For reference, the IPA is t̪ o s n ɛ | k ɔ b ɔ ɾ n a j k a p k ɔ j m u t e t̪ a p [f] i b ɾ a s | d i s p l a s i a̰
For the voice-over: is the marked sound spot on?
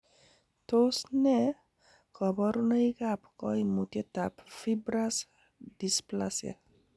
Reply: yes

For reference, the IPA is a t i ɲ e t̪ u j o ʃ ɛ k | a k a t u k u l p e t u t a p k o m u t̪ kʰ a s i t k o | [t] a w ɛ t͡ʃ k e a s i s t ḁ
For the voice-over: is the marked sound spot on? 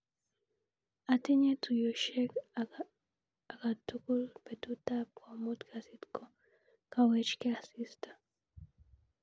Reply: no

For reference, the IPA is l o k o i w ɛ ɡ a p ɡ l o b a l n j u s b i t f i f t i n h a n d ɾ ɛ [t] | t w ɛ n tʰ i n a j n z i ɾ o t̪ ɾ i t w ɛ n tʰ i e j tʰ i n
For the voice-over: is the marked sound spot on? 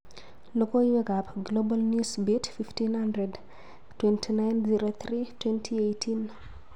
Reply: no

